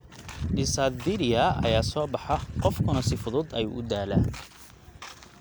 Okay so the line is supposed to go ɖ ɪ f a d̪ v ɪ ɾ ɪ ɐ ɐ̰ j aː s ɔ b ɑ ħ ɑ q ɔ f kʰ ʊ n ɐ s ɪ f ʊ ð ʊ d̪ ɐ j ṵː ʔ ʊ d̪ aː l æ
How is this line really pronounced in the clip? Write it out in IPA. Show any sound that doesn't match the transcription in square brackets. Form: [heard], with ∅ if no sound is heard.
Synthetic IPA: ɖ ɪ [s] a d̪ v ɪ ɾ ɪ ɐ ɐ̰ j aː s [ɔː] b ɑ ħ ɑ q ɔ f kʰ ʊ n ɐ s ɪ f ʊ ð ʊ d̪ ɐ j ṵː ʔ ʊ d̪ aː l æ